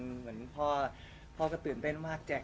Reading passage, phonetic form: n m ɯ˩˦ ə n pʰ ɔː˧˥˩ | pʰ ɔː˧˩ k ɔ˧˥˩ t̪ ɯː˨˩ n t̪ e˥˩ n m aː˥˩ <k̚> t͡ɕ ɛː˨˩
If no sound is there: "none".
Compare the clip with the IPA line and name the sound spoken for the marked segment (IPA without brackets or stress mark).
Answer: k̚